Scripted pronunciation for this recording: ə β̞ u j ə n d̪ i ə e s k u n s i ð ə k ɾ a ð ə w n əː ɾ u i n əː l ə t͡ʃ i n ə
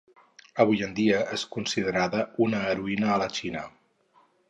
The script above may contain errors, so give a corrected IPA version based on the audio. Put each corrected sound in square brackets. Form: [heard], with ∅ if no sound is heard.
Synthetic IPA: ə β̞ u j ə n d̪ i ə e s k u n s i ð ə [∅] ɾ a ð ə [u] n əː ɾ u i n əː l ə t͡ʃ i n ə